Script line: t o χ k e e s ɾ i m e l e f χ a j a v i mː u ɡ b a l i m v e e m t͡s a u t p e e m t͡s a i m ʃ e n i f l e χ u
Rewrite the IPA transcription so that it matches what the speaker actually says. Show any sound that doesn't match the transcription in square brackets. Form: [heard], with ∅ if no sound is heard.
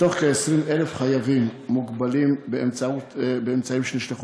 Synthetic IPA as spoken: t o χ k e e s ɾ i m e l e f χ a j a v i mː u ɡ b a l i m [b] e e m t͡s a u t [b] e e m t͡s a i m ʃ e n i [ʃ] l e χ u